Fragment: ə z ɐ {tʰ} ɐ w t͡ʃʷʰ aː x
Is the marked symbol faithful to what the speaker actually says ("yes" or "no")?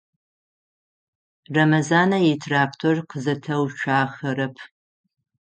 yes